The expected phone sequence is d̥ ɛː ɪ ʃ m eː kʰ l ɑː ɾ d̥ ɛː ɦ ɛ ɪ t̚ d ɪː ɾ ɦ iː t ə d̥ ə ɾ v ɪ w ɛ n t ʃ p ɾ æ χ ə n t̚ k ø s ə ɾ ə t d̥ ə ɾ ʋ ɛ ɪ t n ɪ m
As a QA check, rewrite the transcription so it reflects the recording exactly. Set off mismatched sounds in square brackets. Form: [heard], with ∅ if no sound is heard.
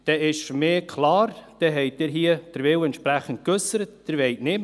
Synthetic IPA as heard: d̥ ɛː ɪ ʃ m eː kʰ l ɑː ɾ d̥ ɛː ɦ ɛ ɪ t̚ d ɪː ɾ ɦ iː [∅] ə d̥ ə ɾ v ɪ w ɛ n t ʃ p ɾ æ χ ə n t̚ k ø s ə ɾ ə t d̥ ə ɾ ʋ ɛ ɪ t n ɪ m

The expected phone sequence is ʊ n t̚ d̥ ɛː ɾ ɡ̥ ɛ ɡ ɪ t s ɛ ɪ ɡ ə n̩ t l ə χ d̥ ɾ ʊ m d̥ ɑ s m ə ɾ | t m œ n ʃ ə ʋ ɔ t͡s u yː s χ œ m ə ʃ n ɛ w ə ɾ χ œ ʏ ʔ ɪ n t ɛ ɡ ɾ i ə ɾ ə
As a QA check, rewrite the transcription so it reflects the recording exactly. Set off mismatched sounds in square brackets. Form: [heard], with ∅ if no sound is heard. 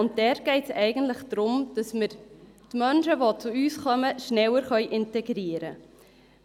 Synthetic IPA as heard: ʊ n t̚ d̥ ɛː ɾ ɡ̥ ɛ [∅] ɪ t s ɛ ɪ ɡ ə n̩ t l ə χ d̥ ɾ ʊ m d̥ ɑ s m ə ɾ | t m œ n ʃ ə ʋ [o] t͡s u yː s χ œ m ə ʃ n ɛ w ə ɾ χ œ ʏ ʔ ɪ n t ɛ ɡ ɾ i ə ɾ ə

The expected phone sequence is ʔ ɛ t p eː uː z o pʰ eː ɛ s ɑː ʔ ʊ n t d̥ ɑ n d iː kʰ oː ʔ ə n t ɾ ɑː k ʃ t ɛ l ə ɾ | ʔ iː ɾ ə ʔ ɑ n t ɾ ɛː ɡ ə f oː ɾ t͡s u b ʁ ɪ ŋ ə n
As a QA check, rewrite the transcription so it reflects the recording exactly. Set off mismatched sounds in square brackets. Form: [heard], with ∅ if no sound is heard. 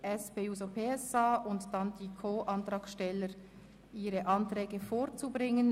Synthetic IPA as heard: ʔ ɛ [s] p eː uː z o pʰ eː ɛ s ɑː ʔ ʊ n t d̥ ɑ n d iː kʰ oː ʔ [ɑ] n t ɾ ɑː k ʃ t ɛ l ə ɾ | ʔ iː ɾ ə ʔ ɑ n t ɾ ɛː ɡ ə f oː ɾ t͡s u b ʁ ɪ ŋ ə n

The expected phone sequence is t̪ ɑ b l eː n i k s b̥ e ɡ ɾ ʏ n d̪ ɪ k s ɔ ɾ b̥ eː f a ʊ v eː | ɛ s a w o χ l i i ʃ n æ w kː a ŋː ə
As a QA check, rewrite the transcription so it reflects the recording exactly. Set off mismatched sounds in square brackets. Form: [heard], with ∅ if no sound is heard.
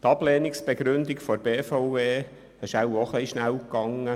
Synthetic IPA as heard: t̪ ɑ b l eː n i k s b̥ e ɡ ɾ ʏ n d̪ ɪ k [f] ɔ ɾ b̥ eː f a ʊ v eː | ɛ [ʃ] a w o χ l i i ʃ n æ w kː [ɑ] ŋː ə

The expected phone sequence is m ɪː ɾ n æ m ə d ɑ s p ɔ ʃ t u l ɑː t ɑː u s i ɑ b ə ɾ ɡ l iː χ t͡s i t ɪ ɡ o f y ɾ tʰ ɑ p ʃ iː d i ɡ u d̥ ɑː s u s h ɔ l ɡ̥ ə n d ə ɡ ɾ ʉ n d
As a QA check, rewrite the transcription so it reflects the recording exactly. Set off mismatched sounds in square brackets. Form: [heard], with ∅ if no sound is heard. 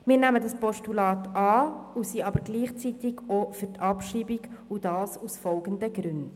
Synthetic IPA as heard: m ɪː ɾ n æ m ə d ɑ s p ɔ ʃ t u l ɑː t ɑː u s i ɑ b ə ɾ ɡ l iː χ t͡s i t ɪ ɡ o f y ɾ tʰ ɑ p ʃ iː [b] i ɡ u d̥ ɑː s u s [f] ɔ l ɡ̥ ə n d ə ɡ ɾ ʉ n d

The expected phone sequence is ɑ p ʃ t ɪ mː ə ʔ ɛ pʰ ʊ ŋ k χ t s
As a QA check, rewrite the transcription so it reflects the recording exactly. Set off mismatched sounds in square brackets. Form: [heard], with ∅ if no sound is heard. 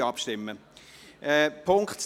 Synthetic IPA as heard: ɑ p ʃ t ɪ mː ə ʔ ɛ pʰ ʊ ŋ k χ t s

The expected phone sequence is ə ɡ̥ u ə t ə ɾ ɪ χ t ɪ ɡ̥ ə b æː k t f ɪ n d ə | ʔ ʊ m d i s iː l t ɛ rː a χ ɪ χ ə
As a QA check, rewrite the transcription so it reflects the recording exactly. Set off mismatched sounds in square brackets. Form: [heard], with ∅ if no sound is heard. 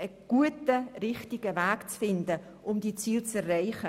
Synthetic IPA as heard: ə ɡ̥ u ə t ə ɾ ɪ χ t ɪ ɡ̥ ə [v] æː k [t͡s] f ɪ n d ə | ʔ ʊ m d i [t͡s] iː l [t͡s] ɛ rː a [∅] ɪ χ ə

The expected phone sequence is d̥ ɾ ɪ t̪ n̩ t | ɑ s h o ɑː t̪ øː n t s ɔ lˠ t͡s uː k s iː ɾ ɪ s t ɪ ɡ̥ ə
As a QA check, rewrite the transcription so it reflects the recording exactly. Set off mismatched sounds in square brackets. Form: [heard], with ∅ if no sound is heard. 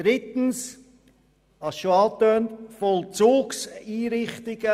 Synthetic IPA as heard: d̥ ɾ ɪ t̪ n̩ [s] | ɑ s [ʃ] o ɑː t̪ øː n t [f] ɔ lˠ t͡s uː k s iː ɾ ɪ [χ] t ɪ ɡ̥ ə

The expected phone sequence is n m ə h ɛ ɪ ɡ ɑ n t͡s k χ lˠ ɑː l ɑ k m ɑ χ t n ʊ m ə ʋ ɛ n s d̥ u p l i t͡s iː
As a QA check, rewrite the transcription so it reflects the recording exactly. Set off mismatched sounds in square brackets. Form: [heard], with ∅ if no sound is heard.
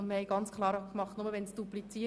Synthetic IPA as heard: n m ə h ɛ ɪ ɡ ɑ n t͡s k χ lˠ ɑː [ɾ] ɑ k m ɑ χ t n ʊ m ə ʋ ɛ n s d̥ u p l i t͡s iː

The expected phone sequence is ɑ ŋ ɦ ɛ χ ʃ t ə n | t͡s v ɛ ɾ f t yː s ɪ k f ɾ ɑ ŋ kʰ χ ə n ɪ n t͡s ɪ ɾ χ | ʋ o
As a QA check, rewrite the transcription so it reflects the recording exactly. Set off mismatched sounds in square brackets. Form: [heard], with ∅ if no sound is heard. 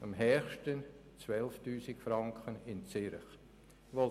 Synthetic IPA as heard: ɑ [m] ɦ ɛ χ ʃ t ə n | t͡s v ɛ [l] f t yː s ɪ k f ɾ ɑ ŋ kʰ χ ə n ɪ n t͡s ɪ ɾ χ | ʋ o

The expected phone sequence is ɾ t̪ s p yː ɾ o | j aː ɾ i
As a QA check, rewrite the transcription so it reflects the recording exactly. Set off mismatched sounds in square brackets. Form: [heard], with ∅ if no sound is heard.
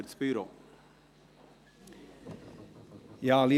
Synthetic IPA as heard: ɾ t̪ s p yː ɾ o | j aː [l] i

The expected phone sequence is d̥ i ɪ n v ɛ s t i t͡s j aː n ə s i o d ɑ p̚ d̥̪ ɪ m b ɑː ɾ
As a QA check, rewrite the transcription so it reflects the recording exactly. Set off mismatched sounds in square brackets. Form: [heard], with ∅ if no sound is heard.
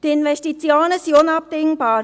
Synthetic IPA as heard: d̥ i ɪ n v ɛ s t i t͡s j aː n ə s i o [n] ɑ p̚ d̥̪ ɪ [ŋ] b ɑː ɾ

